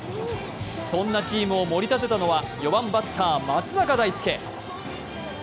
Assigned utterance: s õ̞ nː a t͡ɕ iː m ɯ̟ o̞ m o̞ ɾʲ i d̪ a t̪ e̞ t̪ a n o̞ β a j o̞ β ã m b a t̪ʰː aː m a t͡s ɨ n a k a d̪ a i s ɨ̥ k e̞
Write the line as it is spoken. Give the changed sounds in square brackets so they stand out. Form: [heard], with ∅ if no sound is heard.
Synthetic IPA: s õ̞ nː a t͡ɕ iː m ɯ̟ o̞ m o̞ ɾʲ i [t̪] a t̪ e̞ t̪ a n o̞ β a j o̞ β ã m b a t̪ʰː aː m a t͡s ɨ n a k a d̪ a i s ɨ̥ k e̞